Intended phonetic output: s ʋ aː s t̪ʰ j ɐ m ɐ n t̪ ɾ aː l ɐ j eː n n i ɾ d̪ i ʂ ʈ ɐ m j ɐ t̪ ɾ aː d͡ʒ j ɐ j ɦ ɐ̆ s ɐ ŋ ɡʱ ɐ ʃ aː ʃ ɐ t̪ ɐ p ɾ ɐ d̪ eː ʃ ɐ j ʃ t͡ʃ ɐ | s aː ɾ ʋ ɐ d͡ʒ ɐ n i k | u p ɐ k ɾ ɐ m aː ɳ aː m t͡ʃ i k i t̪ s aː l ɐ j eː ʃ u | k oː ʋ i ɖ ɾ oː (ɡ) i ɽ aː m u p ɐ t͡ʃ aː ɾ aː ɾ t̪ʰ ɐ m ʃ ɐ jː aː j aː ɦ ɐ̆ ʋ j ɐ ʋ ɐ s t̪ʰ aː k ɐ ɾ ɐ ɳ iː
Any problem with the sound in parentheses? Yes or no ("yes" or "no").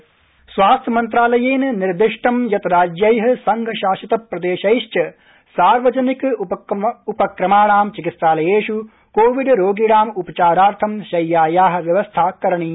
no